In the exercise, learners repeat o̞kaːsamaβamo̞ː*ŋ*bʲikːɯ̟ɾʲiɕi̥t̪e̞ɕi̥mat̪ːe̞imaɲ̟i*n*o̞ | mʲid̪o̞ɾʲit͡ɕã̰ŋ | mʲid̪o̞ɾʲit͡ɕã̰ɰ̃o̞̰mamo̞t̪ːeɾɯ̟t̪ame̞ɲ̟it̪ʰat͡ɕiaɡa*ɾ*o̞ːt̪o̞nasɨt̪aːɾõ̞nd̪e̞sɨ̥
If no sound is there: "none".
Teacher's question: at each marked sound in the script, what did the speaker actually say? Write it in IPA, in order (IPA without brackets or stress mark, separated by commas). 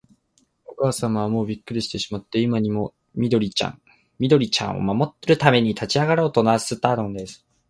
none, m, ɾ